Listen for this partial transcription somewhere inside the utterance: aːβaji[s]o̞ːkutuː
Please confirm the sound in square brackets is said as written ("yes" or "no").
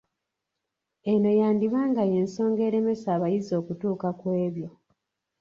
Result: no